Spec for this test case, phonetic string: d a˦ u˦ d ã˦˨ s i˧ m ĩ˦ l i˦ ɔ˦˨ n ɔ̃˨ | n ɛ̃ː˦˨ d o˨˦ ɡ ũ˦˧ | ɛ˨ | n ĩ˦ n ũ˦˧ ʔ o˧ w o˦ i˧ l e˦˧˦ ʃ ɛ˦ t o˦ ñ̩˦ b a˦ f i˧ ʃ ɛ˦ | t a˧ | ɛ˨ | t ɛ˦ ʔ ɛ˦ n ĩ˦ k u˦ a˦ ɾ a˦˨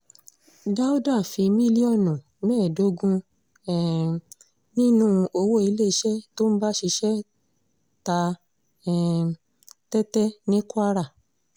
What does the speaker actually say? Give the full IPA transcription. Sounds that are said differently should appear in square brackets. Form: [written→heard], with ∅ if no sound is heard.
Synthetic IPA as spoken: d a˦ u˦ d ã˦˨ [s→f] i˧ m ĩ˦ l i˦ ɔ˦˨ n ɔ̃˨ | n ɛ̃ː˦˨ d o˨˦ ɡ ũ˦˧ | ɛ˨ | n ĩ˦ n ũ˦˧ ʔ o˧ w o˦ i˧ l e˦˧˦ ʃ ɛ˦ t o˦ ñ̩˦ b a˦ [f→ʃ] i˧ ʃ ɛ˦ | t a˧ | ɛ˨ | t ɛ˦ [ʔ→t] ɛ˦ n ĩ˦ k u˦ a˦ ɾ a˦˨